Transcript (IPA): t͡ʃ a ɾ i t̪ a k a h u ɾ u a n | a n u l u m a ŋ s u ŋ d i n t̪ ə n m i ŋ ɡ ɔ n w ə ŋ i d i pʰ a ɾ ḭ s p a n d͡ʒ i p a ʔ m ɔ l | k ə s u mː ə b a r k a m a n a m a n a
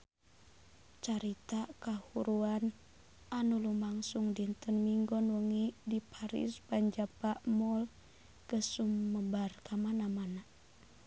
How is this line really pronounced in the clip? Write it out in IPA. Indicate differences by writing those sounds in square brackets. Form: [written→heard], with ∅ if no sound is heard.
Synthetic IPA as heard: t͡ʃ a ɾ i t̪ a k a h u ɾ u a n | a n u l u m a ŋ s u ŋ d i n t̪ ə n m i ŋ ɡ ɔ n w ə ŋ i d i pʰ a ɾ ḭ s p a [n→ɲ] d͡ʒ [i→a] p a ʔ m ɔ l | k ə s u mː ə b a r k a m a n a m a n a